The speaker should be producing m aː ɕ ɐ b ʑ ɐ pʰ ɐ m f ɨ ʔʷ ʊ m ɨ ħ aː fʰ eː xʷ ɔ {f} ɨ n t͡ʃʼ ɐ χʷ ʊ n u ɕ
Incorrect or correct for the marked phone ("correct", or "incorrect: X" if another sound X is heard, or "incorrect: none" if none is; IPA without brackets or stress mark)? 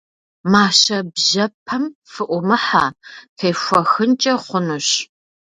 incorrect: x